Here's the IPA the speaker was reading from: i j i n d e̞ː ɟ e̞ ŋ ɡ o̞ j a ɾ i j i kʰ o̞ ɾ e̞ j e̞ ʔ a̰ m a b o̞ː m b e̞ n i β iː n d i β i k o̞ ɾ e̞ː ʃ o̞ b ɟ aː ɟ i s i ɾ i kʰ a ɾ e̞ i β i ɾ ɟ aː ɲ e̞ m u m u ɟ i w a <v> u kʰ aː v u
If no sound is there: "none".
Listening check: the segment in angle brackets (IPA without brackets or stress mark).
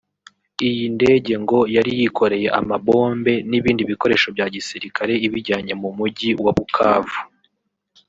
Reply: β